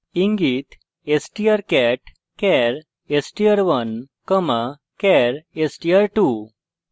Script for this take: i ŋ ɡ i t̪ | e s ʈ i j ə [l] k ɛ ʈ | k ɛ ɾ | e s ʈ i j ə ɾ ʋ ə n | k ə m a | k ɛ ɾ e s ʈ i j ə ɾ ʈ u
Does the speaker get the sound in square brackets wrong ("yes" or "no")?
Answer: yes